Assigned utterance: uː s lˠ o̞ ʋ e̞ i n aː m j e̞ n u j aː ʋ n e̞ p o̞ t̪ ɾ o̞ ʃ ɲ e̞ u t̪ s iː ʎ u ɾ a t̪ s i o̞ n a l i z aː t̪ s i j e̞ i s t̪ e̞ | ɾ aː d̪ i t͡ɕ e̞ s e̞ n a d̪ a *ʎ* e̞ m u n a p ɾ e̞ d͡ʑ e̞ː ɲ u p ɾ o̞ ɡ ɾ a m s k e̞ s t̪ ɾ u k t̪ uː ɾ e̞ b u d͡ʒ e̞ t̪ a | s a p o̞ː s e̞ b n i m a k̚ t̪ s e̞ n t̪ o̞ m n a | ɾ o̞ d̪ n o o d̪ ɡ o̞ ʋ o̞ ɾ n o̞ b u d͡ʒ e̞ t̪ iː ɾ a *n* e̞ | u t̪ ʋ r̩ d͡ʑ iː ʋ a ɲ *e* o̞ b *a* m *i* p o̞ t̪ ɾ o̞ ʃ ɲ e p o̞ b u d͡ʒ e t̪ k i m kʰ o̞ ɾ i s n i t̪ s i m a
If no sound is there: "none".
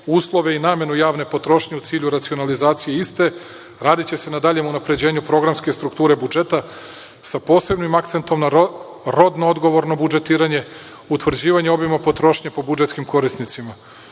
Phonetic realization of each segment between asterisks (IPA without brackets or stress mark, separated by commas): ʎ, ɲ, e, i, a